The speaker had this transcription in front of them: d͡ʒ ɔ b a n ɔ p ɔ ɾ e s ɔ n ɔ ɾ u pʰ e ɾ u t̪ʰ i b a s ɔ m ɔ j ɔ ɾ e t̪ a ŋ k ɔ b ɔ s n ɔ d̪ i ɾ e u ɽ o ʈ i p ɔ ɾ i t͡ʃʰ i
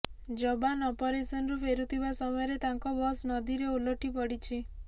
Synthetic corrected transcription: d͡ʒ ɔ b a n ɔ p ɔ ɾ e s ɔ n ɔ ɾ u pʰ e ɾ u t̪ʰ i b a s ɔ m ɔ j ɔ ɾ e t̪ a ŋ k ɔ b ɔ s n ɔ d̪ i ɾ e u l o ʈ i p ɔ ɽ i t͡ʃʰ i